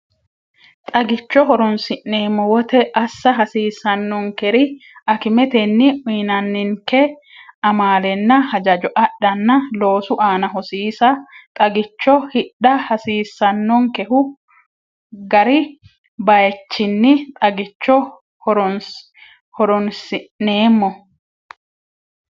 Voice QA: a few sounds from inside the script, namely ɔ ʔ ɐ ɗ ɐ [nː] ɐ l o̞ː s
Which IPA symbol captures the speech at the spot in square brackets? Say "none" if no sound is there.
nː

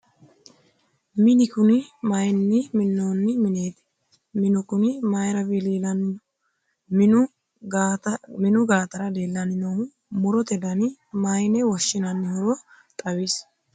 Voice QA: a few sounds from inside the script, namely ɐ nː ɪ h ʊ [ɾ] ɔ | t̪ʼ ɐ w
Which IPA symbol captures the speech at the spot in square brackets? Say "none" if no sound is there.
ɾ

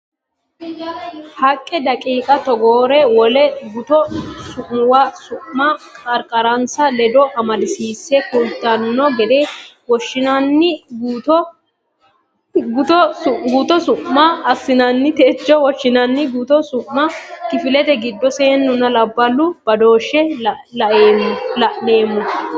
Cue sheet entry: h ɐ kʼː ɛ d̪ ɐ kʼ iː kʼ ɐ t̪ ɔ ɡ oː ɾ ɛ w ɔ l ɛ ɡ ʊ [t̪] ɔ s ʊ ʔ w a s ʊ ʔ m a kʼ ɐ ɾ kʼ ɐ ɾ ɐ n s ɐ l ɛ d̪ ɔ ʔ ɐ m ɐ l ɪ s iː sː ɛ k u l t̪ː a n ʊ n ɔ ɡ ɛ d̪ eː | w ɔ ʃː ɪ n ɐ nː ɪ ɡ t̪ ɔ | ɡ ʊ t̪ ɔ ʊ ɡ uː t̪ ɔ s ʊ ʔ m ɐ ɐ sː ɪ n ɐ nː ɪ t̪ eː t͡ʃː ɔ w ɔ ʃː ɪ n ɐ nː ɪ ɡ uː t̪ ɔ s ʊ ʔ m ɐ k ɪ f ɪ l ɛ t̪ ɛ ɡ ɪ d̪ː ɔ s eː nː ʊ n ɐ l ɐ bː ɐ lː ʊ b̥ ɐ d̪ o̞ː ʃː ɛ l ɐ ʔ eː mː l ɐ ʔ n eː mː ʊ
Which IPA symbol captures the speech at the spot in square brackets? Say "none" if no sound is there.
t̪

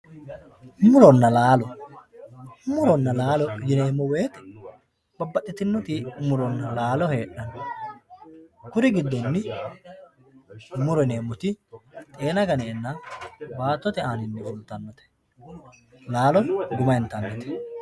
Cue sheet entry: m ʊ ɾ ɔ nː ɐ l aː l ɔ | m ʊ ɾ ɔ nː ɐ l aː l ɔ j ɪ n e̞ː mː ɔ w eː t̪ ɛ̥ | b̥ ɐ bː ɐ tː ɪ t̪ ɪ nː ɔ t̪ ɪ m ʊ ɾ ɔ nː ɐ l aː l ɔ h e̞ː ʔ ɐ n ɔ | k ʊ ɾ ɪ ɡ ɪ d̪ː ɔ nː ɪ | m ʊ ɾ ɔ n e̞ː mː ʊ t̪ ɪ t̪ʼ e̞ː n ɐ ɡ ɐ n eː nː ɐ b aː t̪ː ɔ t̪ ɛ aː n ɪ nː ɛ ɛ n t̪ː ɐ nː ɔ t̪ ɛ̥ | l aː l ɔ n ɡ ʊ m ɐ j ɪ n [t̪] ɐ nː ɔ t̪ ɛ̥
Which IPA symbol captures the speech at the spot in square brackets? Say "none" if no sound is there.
t̪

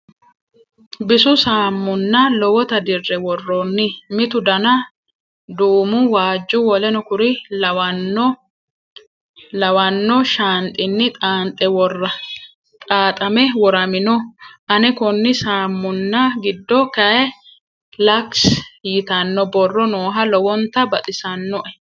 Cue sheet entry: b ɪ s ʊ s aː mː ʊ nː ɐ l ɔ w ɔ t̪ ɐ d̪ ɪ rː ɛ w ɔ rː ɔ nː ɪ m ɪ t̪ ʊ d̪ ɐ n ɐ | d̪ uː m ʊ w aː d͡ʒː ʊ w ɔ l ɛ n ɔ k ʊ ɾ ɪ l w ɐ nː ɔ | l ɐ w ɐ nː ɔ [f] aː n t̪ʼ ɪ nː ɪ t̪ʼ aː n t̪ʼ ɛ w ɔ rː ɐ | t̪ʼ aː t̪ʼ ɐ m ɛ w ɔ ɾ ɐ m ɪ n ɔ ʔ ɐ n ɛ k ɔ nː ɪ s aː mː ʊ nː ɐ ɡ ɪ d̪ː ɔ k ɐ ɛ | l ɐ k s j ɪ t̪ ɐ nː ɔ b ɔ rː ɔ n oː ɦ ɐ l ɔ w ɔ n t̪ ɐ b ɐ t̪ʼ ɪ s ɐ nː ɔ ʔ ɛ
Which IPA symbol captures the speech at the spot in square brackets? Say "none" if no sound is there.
ʃ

